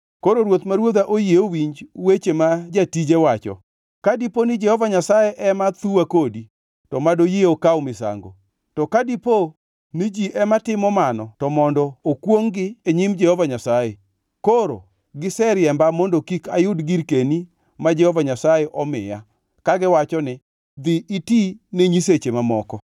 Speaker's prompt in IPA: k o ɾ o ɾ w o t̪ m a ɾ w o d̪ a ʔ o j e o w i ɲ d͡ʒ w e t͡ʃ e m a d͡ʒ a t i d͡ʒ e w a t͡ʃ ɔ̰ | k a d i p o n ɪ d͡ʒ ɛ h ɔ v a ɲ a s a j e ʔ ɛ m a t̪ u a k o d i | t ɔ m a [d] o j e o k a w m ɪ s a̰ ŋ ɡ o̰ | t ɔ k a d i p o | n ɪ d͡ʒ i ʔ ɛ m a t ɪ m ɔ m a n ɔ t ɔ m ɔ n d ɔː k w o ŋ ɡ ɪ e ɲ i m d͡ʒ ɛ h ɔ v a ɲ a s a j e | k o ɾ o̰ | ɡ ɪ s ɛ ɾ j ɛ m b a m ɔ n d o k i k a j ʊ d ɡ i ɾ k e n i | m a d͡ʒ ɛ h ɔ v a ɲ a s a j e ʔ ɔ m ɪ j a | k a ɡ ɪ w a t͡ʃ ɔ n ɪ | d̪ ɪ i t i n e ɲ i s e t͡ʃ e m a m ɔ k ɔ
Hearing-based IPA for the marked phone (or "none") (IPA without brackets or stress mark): d